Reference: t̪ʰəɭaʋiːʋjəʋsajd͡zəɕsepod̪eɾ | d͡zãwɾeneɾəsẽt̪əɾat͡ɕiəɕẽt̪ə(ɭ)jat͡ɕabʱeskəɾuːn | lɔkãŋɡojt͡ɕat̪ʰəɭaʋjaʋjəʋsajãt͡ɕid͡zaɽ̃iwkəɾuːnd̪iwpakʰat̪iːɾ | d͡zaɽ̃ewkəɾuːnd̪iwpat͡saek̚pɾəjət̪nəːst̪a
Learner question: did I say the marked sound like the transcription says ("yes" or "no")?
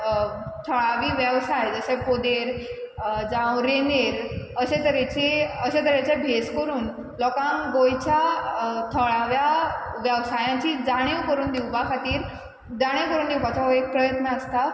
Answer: no